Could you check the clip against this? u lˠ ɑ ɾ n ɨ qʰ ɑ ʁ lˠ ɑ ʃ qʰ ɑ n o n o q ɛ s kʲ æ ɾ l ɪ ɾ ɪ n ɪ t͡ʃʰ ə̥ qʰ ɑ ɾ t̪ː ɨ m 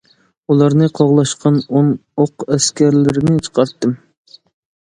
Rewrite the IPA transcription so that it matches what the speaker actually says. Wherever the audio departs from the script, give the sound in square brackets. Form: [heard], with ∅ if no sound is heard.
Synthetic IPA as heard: u lˠ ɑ ɾ n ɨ qʰ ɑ ʁ lˠ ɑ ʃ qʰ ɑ n o n o q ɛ s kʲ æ ɾ l ɪ ɾ ɪ n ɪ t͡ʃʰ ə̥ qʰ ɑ ɾ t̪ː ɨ m